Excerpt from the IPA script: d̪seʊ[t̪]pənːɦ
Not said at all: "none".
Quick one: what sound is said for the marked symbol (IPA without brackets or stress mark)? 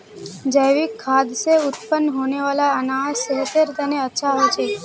t̪